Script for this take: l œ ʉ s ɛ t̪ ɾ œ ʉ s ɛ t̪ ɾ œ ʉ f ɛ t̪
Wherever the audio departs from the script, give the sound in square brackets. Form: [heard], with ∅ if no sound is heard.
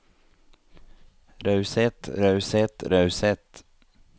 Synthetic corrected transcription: [ɾ] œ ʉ s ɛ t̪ ɾ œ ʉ s ɛ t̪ ɾ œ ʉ [s] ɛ t̪